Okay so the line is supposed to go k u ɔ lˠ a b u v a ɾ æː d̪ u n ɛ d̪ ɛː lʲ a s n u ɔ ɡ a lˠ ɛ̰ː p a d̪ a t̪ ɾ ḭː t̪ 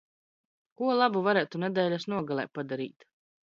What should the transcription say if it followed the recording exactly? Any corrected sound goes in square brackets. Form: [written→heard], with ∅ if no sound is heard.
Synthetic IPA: k u ɔ lˠ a b u v a ɾ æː [d̪→t̪] u n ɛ d̪ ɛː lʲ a s n u ɔ ɡ a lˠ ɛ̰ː p a d̪ a [t̪→∅] ɾ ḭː t̪

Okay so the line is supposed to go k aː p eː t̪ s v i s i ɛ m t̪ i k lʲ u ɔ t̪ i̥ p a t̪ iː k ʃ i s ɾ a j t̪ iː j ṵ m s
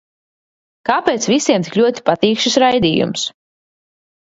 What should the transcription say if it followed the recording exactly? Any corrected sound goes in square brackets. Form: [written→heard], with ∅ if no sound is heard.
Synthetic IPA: k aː p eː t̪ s v i s i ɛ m t̪ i k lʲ u ɔ t̪ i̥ p a t̪ iː k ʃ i s ɾ a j [t̪→d̪] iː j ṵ m s

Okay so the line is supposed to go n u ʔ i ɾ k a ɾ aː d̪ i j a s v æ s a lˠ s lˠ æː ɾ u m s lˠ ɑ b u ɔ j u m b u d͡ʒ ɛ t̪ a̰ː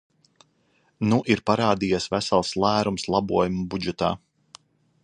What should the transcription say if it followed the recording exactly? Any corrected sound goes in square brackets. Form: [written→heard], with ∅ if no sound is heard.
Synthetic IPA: n u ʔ i ɾ [k→p] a ɾ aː d̪ i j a s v æ s a lˠ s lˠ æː ɾ u m s lˠ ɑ b u ɔ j u m b u d͡ʒ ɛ t̪ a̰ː

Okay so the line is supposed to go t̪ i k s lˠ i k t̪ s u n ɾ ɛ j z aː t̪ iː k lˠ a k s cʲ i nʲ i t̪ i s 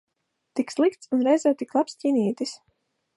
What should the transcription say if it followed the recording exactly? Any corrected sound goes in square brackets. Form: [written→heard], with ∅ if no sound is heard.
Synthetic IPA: t̪ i k s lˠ i k t̪ s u n ɾ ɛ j z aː t̪ [iː→i] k lˠ a [k→p] s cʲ i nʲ [i→iː] t̪ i s

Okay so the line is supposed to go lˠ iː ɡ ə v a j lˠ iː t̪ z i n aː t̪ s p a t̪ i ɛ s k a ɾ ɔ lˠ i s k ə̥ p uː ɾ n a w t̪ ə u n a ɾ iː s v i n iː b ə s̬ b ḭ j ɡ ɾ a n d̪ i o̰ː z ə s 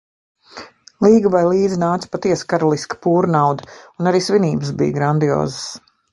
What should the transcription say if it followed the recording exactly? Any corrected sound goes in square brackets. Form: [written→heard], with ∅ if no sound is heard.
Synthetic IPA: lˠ iː ɡ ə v a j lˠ iː [t̪→d̪] z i n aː t̪ s p a t̪ i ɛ s k a ɾ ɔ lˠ i s k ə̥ p uː ɾ n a w [t̪→d̪] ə u n a ɾ iː s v i n iː b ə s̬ b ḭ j ɡ ɾ a n d̪ i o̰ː z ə s

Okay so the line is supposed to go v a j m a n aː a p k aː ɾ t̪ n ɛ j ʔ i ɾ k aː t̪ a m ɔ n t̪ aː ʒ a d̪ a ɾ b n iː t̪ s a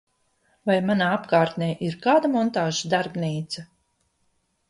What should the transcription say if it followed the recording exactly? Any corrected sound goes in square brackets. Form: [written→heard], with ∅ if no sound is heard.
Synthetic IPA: v a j m a n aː a p k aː ɾ t̪ n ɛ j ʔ i ɾ k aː [t̪→d̪] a m ɔ n t̪ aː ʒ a d̪ a ɾ b n iː t̪ s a

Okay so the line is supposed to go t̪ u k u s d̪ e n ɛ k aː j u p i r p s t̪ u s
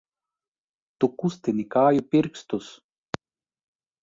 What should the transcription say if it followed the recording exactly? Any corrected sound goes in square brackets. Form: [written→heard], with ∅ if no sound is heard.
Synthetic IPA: t̪ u k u s [d̪→t̪] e n [ɛ→i] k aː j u p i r [p→k] s t̪ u s

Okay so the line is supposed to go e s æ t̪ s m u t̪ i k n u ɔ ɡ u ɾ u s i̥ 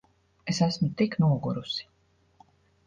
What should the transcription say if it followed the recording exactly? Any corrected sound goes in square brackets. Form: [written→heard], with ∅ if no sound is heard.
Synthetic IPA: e s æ [t̪→∅] s m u t̪ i k n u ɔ ɡ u ɾ u s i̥

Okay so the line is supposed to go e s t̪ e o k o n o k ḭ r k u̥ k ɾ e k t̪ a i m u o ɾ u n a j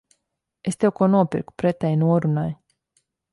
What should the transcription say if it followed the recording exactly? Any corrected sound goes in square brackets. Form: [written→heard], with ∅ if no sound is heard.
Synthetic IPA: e s t̪ e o k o n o [k→p] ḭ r k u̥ [k→p] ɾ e [k→∅] t̪ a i [m→n] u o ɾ u n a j

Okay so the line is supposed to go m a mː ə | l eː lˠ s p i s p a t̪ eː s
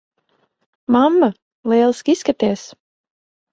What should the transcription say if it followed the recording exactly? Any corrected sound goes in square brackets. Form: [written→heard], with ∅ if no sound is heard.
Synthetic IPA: m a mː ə | l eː lˠ s [p→k] i s [p→k] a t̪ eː s

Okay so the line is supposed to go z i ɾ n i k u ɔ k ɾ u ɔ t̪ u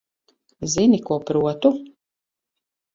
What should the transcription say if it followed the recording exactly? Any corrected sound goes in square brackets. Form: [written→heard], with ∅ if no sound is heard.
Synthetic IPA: z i [ɾ→∅] n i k u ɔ [k→p] ɾ u ɔ t̪ u

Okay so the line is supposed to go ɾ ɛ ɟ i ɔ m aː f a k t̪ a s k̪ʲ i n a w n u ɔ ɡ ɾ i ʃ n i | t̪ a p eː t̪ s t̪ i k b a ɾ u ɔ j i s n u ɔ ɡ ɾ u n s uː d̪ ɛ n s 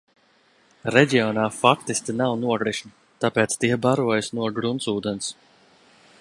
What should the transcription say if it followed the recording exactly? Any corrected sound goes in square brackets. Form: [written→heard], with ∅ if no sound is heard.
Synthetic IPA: ɾ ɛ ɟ i ɔ [m→n] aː f a k t̪ [a→i] s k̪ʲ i n a w n u ɔ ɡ ɾ i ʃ n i | t̪ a p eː t̪ s t̪ i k b a ɾ u ɔ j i s n u ɔ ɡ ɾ u n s uː d̪ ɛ n s

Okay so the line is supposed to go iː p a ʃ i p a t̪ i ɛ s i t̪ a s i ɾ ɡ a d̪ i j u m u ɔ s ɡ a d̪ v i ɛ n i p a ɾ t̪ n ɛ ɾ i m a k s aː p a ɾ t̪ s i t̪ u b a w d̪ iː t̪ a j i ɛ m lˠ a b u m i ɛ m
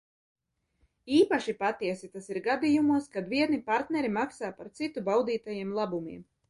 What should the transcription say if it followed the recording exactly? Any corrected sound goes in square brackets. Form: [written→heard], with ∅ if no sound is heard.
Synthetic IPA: iː p a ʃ i p a t̪ i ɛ s i t̪ a s i ɾ ɡ a d̪ i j u m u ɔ s [ɡ→k] a d̪ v i ɛ n i p a ɾ t̪ n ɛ ɾ i m a k s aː p a ɾ t̪ s i t̪ u b a w d̪ iː t̪ a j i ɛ m lˠ a b u m i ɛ m

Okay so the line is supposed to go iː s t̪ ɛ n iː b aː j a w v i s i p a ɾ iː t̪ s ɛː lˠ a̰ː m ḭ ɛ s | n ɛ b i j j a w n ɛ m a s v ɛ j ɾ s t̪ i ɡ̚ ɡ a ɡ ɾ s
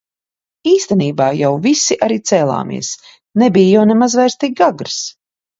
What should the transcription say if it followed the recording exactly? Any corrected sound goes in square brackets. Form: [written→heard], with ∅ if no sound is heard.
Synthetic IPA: iː s t̪ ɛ n iː b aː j a w v i s i [p→ʔ] a ɾ iː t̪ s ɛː lˠ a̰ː m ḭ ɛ s | n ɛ b i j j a w n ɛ m a [s→z] v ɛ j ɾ s t̪ i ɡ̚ ɡ a ɡ ɾ s

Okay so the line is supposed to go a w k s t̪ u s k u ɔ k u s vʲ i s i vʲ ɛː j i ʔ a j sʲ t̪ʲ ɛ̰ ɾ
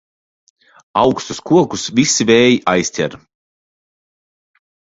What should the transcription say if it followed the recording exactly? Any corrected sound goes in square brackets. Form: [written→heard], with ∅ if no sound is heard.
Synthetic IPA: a w k s t̪ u s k u ɔ k u s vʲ i s i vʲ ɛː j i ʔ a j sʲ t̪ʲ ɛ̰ ɾ

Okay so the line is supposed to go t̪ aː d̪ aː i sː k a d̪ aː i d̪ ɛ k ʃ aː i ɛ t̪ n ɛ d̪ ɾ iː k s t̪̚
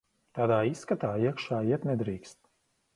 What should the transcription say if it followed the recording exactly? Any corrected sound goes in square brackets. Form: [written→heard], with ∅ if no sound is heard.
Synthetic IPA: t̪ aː d̪ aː i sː k a [d̪→t̪] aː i [d̪→∅] ɛ k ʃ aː i ɛ t̪ n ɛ d̪ ɾ iː k s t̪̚

